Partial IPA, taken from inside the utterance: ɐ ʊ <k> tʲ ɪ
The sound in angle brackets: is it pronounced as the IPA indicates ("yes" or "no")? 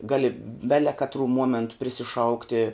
yes